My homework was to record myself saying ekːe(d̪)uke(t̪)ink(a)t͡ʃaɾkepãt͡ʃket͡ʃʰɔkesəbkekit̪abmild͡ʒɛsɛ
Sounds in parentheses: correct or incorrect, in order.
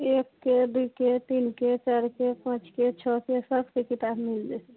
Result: correct, correct, incorrect: e

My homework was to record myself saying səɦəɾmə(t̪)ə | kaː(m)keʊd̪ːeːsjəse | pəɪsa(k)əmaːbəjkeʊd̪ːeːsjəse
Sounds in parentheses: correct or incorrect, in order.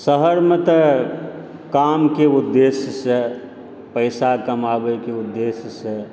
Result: correct, correct, correct

